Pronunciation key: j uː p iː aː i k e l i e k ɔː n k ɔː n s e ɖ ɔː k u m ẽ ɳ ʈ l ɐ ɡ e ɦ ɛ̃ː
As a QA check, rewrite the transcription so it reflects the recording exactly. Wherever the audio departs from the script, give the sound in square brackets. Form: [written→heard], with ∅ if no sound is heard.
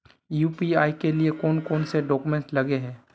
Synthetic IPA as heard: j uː p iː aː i k e l i e k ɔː n k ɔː n s e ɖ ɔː k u m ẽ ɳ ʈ l ɐ ɡ e ɦ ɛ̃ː